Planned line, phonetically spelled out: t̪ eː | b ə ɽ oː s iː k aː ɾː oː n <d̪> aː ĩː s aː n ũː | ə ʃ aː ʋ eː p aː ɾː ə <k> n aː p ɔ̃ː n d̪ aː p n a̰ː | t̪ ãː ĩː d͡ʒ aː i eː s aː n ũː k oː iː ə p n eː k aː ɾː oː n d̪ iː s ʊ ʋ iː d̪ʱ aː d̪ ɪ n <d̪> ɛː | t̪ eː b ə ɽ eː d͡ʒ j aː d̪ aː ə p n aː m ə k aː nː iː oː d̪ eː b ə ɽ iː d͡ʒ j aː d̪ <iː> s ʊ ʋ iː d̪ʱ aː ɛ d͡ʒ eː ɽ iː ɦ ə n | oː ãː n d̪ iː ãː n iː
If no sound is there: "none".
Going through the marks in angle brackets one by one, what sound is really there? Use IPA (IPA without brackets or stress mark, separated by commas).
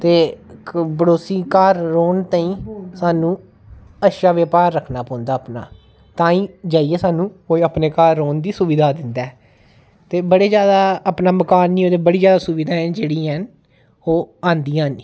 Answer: t̪, kʰ, d̪, aː